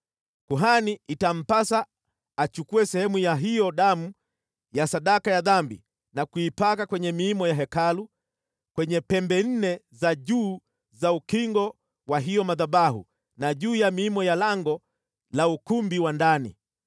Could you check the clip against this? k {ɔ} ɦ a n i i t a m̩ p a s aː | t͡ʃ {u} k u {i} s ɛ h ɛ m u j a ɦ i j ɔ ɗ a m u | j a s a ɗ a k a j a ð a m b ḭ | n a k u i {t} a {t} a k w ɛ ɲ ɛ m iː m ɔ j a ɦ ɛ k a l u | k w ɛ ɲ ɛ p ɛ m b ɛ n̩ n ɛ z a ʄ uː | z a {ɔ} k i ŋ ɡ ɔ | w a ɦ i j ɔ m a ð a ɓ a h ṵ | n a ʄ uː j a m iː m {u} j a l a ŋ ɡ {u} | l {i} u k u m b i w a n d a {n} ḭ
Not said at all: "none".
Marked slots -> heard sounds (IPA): u, u, ɛ, p, k, u, ɔ, ɔ, a, n

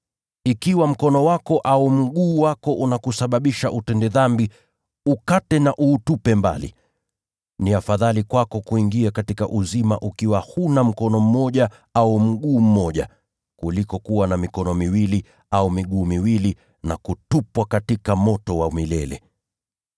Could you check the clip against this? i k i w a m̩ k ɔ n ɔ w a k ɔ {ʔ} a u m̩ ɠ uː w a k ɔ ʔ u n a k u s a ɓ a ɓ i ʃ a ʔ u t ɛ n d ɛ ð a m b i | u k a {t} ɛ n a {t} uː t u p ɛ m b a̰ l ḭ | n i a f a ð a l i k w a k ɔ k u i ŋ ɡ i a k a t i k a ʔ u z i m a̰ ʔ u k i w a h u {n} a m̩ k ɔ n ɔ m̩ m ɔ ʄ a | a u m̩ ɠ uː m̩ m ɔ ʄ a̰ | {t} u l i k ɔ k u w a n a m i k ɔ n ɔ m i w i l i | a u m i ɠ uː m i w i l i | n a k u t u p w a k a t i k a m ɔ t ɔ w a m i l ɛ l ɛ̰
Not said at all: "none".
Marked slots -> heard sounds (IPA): ʔ, t, ʔ, n, k

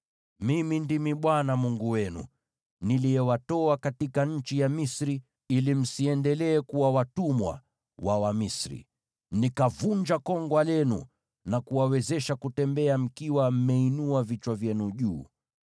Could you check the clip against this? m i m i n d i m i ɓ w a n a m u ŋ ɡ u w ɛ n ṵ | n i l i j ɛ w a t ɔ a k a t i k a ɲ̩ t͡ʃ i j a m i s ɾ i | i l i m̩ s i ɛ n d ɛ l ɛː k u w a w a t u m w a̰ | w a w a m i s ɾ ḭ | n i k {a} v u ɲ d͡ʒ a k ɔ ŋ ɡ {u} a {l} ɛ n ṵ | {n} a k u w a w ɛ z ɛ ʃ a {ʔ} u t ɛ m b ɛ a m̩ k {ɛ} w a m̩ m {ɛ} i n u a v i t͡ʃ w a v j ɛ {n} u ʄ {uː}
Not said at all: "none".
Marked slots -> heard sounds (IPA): a, w, l, n, k, i, ɛ, n, uː

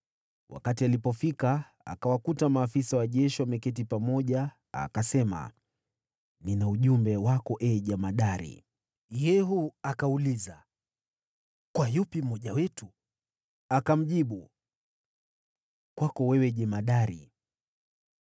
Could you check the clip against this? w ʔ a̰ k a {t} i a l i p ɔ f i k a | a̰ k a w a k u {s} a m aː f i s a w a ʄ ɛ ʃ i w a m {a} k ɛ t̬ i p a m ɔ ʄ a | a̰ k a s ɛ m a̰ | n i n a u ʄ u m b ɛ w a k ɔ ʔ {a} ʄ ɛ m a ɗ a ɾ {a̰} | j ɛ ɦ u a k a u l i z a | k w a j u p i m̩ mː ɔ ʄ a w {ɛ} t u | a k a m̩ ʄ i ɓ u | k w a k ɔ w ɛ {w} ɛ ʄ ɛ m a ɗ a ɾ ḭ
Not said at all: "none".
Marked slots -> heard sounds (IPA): t, t, ɛ, ɛ, ḭ, ɛ, w

